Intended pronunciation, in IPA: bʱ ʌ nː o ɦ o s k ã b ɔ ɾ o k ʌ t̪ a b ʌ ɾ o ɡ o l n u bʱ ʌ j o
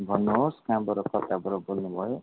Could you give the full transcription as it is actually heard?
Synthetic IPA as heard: bʱ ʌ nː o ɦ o s k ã b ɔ ɾ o k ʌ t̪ a b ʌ ɾ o b o l n u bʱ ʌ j o